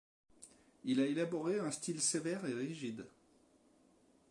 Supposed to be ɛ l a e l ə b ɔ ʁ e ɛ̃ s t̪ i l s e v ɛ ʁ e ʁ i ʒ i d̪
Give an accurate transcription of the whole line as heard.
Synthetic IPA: i l a e l a b ɔ ʁ e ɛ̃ s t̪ i l s e v ɛ ʁ e ʁ i ʒ i d̪

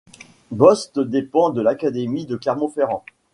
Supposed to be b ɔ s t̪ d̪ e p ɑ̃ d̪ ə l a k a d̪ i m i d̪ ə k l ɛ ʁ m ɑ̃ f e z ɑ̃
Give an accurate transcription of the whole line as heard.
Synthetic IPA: b ɔ s t̪ d̪ e p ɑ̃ d̪ ə l a k a d̪ e m i d̪ ə k l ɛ ʁ m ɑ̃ f e ʁ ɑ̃

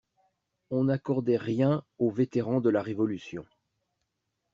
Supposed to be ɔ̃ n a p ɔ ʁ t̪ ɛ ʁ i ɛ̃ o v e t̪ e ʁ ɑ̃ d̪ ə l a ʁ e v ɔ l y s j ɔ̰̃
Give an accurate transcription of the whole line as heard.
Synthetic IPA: ɔ̃ n a k ɔ ʁ d̪ ɛ ʁ j ɛ̃ o v e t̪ e ʁ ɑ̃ d̪ ə l a ʁ e v ɔ l y s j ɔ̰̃

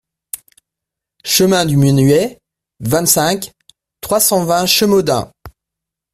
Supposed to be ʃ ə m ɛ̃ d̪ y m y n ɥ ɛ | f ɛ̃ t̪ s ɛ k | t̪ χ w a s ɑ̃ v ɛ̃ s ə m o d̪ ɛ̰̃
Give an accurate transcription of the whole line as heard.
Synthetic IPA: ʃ ə m ɛ̃ d̪ y m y n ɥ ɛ | v ɛ̃ t̪ s ɛ̃ k | t̪ χ w a s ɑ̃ v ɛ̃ ʃ ə m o d̪ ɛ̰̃

